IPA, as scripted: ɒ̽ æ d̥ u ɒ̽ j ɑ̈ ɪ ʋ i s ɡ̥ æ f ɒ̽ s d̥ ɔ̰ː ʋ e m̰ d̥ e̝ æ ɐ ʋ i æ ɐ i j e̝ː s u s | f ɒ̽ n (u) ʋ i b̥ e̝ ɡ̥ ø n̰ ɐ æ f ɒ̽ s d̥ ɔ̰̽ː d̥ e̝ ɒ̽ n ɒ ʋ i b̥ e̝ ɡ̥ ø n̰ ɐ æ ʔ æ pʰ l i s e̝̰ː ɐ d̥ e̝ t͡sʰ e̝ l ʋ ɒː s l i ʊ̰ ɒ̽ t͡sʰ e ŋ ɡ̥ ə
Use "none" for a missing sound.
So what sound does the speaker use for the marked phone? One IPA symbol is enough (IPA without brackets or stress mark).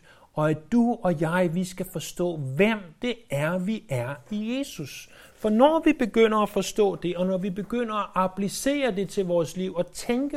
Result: ɒ